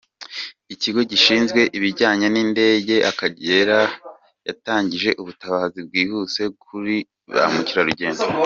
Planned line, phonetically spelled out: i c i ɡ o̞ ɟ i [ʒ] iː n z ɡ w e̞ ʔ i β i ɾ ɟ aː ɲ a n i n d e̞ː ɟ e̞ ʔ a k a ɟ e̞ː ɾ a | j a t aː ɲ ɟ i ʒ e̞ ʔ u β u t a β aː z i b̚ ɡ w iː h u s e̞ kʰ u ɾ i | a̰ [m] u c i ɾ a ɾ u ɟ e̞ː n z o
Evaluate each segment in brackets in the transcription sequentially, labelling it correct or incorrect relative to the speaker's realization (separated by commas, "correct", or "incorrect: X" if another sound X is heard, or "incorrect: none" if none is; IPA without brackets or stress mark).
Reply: incorrect: ʃ, correct